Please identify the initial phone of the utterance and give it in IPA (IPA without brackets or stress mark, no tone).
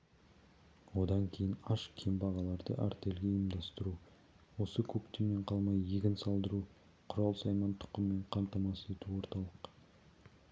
w